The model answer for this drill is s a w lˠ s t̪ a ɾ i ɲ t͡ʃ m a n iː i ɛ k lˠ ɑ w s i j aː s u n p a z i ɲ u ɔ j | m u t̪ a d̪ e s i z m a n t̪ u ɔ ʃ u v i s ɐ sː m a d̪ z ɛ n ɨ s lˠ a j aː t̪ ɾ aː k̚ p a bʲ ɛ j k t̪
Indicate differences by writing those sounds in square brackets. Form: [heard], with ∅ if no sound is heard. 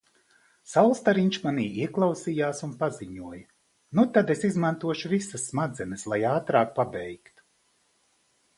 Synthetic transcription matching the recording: s a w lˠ s t̪ a ɾ i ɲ t͡ʃ m a n iː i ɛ k lˠ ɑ w s i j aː s u n p a z i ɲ u ɔ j | [n] u t̪ a d̪ e s i z m a n t̪ u ɔ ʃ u v i s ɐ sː m a d̪ z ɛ n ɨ s lˠ a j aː t̪ ɾ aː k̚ p a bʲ ɛ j k t̪